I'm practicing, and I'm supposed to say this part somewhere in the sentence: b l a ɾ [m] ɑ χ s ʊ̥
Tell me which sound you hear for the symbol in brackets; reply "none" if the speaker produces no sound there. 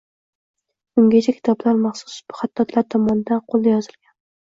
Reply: m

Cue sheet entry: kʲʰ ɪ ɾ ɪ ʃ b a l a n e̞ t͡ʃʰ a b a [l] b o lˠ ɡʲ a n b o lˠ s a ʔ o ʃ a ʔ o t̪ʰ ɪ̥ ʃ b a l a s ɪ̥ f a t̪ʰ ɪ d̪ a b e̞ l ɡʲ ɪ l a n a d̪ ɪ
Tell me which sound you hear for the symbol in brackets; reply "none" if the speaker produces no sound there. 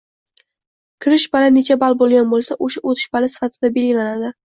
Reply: l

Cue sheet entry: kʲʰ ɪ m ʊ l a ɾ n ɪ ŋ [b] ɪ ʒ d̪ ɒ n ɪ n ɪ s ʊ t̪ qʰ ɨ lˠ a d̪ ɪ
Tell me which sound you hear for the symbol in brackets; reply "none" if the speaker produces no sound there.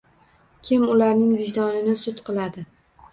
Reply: v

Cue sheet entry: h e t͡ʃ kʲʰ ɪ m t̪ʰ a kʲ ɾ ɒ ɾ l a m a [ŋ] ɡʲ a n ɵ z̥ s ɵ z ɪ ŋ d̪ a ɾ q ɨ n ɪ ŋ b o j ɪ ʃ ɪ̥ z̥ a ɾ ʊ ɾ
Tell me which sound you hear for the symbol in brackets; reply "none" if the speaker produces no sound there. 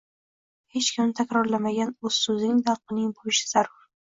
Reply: none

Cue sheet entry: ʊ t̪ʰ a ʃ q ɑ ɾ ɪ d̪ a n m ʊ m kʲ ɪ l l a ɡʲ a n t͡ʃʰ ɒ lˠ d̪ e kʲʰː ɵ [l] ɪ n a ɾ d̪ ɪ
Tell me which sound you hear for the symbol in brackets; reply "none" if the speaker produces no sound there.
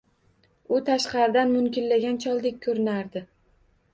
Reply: ɾ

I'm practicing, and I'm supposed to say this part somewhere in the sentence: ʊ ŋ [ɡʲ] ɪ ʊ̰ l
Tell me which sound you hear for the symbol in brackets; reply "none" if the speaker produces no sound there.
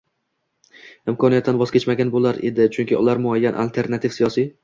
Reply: kʲ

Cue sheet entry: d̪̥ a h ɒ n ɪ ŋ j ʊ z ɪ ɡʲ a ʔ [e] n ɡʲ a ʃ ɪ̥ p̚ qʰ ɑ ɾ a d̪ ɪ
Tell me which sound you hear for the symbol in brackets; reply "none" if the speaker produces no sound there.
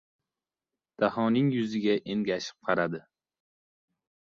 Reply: e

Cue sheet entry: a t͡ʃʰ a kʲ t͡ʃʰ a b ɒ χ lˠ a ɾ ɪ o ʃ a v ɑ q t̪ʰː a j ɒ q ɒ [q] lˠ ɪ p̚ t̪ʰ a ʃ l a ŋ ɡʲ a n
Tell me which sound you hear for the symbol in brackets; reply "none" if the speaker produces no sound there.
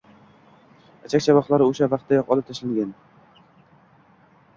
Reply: none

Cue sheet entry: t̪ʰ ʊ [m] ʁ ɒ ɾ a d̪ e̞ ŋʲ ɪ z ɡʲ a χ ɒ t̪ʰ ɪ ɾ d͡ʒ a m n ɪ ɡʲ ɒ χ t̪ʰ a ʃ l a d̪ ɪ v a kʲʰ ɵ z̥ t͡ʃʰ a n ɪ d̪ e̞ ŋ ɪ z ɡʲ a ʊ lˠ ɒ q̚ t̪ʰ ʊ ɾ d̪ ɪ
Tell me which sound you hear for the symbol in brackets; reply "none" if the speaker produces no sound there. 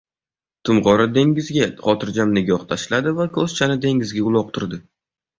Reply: m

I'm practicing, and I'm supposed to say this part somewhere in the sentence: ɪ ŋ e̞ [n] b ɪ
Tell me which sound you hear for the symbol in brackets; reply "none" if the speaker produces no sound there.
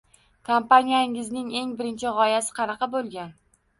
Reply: ŋ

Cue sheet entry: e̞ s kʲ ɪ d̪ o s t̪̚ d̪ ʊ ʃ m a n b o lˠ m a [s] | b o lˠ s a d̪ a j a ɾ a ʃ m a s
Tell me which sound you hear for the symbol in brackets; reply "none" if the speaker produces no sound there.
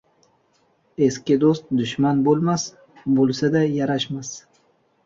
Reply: s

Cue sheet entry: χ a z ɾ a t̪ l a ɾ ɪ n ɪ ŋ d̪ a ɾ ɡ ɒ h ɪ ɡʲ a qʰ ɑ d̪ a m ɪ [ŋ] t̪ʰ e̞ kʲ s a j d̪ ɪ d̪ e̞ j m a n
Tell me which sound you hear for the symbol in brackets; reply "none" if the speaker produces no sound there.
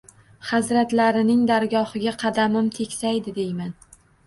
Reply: m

